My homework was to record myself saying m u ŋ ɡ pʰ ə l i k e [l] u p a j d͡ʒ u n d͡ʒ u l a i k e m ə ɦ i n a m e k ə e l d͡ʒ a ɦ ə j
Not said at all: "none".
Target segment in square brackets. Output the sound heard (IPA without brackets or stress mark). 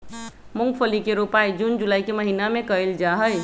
ɾ